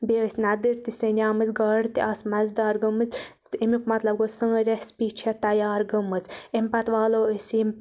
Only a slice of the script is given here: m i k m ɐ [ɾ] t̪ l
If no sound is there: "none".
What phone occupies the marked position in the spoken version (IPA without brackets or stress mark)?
none